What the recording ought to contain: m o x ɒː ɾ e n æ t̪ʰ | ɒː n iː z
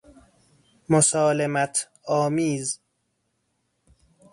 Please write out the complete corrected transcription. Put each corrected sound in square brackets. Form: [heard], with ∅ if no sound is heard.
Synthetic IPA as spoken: m o [s] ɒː [l] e [m] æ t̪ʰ | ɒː [m] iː z